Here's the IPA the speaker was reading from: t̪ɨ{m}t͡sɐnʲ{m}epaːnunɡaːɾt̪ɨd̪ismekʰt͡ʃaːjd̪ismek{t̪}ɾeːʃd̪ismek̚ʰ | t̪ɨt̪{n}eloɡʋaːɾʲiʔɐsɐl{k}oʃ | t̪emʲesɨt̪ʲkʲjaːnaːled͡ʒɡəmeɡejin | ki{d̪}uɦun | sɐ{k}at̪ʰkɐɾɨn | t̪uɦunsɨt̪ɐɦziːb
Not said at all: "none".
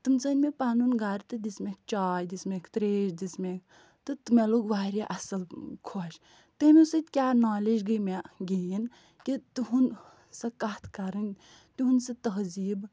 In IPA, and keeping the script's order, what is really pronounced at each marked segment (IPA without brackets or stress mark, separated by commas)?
m, m, t̪, m, kʰ, t̪, k